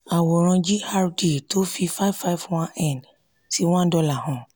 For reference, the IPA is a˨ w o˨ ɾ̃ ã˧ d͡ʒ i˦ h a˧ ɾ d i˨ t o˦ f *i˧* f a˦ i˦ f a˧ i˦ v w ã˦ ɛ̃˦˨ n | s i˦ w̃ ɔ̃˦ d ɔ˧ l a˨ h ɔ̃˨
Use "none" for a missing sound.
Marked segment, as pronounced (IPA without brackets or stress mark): i˧